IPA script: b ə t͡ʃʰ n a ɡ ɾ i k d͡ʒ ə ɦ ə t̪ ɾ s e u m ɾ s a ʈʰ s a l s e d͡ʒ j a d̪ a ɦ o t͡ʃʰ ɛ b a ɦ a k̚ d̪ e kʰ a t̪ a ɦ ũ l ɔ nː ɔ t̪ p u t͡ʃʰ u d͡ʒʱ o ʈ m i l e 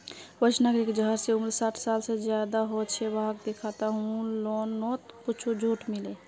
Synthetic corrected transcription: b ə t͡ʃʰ n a ɡ ɾ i k d͡ʒ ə ɦ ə ɾ s e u m ɾ s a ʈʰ s a l s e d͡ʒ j a d̪ a ɦ o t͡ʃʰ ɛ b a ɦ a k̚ d̪ e kʰ a t̪ a ɦ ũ l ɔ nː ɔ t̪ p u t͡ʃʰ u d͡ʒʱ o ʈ m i l e

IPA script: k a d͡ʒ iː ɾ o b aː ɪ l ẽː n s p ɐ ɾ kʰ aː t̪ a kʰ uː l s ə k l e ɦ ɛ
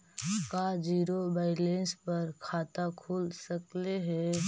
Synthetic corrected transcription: k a d͡ʒ iː ɾ o b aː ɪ l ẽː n s p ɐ ɾ kʰ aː t̪ a kʰ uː l s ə k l e ɦ ɛ

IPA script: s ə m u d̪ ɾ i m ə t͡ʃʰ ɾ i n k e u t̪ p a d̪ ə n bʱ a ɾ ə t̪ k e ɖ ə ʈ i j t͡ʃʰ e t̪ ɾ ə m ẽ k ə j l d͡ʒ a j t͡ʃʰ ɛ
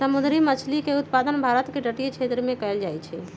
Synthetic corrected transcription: s ə m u d̪ ɾ i m ə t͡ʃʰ l i k e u t̪ p a d̪ ə n bʱ a ɾ ə t̪ k e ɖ ə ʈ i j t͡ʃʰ e t̪ ɾ ə m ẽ k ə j l d͡ʒ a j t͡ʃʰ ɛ

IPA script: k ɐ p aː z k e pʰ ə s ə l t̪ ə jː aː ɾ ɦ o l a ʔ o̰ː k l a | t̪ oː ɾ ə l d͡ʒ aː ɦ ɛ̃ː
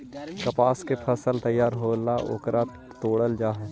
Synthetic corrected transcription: k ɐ p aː s k e pʰ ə s ə l t̪ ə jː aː ɾ ɦ o l a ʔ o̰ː k ɾ a | t̪ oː ɽ ə l d͡ʒ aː ɦ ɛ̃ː

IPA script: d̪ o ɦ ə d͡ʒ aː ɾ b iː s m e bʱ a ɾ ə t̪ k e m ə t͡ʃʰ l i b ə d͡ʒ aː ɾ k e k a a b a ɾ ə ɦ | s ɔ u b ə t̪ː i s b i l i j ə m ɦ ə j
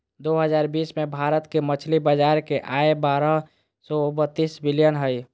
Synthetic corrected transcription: d̪ o ɦ ə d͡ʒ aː ɾ b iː s m e bʱ a ɾ ə t̪ k e m ə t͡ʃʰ l i b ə d͡ʒ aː ɾ k e ʔ a e b a ɾ ə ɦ | s ɔ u b ə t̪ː i s b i l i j ə n ɦ ə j

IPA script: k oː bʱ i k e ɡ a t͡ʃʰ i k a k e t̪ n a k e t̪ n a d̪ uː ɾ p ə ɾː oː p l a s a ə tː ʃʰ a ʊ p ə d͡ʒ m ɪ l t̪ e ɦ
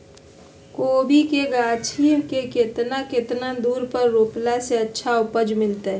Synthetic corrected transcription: k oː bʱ i k e ɡ a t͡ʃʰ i k e k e t̪ n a k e t̪ n a d̪ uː ɾ p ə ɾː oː p l a s e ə tː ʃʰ a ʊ p ə d͡ʒ m ɪ l t̪ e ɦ

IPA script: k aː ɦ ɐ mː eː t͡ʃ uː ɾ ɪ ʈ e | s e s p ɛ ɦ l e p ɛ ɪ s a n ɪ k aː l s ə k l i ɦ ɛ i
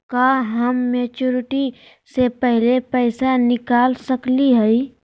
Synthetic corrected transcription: k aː ɦ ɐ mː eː t͡ʃ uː ɾ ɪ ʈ i | s e p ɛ ɦ l e p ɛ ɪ s a n ɪ k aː l s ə k l i ɦ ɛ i

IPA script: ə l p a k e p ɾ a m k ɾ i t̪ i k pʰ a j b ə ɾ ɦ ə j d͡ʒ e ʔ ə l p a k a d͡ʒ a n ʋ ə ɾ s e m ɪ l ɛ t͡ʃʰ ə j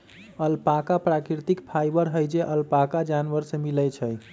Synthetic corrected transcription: ə l p a k a p ɾ a k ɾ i t̪ i k pʰ a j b ə ɾ ɦ ə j d͡ʒ e ʔ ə l p a k a d͡ʒ a n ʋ ə ɾ s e m i l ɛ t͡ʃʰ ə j

